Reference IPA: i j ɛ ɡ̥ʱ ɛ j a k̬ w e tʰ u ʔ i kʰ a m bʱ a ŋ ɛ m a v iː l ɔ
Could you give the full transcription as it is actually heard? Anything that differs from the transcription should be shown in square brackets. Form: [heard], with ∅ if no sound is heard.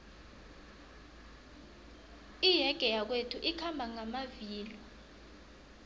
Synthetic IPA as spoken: i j ɛ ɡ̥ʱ ɛ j a k̬ w e tʰ u ʔ i kʰ a m bʱ a ŋ [a] m a v iː l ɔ